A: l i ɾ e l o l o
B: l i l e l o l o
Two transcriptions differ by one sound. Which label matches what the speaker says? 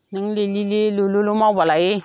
B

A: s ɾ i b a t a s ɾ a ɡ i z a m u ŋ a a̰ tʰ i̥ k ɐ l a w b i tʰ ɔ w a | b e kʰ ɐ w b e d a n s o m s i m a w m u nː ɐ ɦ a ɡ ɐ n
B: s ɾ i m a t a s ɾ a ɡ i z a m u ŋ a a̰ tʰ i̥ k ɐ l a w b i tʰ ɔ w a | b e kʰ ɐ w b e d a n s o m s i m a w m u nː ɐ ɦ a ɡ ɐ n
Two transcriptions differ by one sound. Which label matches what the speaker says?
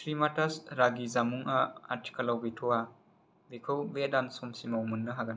B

